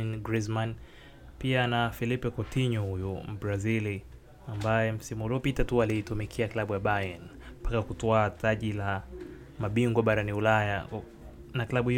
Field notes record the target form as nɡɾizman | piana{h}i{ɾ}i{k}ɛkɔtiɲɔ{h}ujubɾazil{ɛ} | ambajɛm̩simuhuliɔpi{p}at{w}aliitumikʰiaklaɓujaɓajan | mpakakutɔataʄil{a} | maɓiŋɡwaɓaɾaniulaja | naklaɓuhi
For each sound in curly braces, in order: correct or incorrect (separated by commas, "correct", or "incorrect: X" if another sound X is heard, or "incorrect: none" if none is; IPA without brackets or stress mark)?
incorrect: f, incorrect: l, incorrect: p, correct, incorrect: i, incorrect: t, incorrect: u, correct